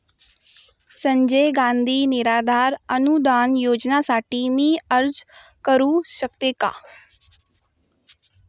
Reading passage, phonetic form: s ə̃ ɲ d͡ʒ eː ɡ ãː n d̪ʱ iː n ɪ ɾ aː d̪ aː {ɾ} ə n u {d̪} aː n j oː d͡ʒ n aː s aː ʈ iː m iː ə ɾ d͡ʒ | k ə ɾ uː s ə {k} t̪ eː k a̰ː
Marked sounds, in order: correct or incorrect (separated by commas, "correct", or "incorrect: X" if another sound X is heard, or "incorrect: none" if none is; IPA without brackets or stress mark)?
correct, correct, correct